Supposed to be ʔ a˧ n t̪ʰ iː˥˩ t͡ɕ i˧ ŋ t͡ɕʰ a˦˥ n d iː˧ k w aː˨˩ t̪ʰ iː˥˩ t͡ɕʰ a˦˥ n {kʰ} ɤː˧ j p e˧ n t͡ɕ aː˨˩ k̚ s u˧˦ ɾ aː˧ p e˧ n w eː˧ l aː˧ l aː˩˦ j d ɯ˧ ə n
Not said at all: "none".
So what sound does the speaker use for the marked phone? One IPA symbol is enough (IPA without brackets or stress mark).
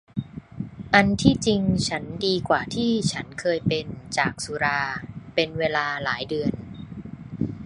kʰ